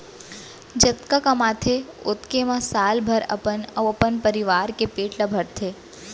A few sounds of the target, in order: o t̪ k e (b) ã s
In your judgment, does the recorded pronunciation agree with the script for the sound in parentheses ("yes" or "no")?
no